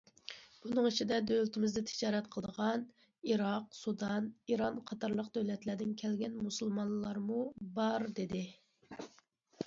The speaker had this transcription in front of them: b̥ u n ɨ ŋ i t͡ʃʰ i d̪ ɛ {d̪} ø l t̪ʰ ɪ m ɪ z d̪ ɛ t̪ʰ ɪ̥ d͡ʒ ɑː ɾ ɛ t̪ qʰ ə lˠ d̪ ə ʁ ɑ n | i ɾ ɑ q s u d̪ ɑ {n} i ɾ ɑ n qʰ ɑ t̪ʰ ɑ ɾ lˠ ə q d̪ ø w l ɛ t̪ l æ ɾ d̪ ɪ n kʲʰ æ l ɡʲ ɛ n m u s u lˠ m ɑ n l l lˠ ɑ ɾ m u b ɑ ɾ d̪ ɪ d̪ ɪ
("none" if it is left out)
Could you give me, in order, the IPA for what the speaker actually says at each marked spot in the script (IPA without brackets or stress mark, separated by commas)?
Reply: d̪, n